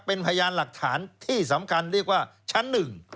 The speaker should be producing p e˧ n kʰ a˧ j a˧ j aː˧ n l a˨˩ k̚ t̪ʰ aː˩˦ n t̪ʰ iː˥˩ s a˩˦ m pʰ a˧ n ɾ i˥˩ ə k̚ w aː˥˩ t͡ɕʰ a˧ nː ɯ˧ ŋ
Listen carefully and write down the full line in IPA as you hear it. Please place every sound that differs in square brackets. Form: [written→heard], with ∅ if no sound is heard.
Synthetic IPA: p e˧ n [kʰ→pʰ] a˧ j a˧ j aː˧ n l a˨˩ k̚ t̪ʰ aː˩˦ n t̪ʰ iː˥˩ s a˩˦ m [pʰ→kʰ] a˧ n ɾ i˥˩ ə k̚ w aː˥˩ t͡ɕʰ [a˧→a˦˥] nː [ɯ˧→ɯ˨˩] ŋ

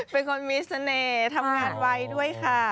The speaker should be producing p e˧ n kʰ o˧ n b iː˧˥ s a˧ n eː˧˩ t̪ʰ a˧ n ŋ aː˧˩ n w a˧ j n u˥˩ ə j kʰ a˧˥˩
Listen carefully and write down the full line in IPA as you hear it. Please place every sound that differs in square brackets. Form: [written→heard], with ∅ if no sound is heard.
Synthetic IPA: p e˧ n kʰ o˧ n [b→m] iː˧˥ s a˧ n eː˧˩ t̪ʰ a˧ [n→m] ŋ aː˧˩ n w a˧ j [n→d] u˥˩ ə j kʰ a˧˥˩

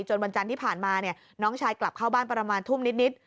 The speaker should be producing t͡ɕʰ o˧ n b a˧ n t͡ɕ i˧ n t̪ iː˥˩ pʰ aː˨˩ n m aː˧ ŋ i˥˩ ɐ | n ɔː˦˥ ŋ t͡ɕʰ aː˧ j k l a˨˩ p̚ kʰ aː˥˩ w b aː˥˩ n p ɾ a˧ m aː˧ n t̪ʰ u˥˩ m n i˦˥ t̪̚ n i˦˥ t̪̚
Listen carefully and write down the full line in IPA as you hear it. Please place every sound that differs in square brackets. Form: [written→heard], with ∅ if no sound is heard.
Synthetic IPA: [t͡ɕʰ→t͡ɕ] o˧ n [b→w] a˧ n t͡ɕ [i˧→a˧] n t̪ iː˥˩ pʰ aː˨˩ n m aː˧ [ŋ→n] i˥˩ ɐ | n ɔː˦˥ ŋ t͡ɕʰ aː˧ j k l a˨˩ p̚ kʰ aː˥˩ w b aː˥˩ n p ɾ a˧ m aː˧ n t̪ʰ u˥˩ m n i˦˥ t̪̚ n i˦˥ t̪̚

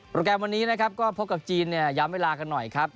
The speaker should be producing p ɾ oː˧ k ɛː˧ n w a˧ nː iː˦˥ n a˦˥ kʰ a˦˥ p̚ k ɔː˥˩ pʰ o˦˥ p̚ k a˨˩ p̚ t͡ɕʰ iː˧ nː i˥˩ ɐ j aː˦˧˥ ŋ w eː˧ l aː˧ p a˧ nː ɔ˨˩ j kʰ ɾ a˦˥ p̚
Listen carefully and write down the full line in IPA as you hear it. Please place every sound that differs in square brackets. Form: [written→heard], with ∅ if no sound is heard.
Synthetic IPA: p ɾ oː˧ k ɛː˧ [n→m] w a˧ nː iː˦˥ n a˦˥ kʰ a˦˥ p̚ k ɔː˥˩ pʰ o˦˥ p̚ k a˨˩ p̚ [t͡ɕʰ→t͡ɕ] iː˧ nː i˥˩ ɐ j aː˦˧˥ [ŋ→m] w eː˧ l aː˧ [p→k] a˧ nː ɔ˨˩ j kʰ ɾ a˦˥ p̚

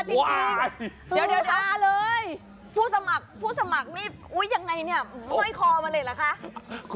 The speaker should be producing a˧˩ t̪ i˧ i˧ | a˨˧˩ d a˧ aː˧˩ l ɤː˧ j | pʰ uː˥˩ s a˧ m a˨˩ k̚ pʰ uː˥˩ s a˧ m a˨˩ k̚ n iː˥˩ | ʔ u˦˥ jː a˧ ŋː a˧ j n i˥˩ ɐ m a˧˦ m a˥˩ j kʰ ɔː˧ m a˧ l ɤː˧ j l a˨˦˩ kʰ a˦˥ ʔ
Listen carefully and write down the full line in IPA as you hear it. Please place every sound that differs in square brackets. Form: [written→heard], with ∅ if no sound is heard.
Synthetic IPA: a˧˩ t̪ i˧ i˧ | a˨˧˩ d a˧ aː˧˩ l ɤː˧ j | pʰ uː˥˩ s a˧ m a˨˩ k̚ pʰ uː˥˩ s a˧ m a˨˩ k̚ n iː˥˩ | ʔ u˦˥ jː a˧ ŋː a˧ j n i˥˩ ɐ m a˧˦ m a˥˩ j kʰ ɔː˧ m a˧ l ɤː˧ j l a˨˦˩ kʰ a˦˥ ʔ

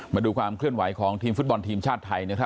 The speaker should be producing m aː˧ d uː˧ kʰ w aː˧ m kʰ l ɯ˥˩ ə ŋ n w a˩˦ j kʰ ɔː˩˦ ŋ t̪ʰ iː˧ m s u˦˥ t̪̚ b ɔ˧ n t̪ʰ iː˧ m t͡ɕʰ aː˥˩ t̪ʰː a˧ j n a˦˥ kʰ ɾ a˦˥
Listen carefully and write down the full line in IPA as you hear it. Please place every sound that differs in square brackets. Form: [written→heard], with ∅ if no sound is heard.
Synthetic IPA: m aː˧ d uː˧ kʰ w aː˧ m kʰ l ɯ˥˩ ə [ŋ→∅] n w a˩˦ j kʰ ɔː˩˦ ŋ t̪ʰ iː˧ m [s→f] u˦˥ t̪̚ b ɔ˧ n t̪ʰ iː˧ m t͡ɕʰ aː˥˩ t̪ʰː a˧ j n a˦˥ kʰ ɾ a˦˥

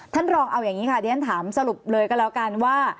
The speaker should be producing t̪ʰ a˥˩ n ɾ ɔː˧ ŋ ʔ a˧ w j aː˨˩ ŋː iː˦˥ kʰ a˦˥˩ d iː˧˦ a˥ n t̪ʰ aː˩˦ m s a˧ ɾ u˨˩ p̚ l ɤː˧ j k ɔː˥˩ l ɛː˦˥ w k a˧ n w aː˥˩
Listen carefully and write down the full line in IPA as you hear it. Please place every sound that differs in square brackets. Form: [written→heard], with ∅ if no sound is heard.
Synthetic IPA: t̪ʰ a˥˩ n ɾ ɔː˧ ŋ ʔ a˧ w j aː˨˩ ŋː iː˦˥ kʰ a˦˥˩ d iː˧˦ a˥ n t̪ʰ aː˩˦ m s a˧ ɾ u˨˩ p̚ l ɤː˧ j k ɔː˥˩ l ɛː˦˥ w k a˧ n w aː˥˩

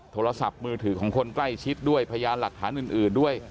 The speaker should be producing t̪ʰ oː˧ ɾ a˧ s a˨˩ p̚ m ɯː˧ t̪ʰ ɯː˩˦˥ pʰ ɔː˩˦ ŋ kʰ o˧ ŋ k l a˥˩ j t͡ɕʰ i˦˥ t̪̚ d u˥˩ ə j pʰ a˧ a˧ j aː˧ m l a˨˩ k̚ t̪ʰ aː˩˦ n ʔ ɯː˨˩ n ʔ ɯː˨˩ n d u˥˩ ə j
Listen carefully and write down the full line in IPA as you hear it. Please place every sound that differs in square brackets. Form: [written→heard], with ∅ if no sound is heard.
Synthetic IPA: t̪ʰ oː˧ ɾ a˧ s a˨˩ p̚ m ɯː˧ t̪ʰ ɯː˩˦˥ [pʰ→kʰ] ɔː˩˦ ŋ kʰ o˧ [ŋ→n] k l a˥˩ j t͡ɕʰ i˦˥ t̪̚ d u˥˩ ə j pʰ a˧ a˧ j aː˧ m l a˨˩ k̚ t̪ʰ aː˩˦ n ʔ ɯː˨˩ n ʔ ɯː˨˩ n d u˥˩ ə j

